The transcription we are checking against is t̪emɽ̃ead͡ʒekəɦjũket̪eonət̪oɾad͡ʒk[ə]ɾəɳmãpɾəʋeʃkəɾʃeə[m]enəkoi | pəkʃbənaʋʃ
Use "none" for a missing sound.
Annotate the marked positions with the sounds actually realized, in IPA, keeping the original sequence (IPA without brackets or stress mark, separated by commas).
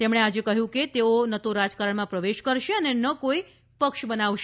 a, n